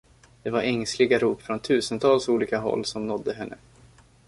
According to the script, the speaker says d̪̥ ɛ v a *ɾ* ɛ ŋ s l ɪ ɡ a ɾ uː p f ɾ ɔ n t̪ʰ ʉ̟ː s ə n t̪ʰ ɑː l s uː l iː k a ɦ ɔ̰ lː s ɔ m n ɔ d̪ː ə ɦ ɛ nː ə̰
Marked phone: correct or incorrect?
correct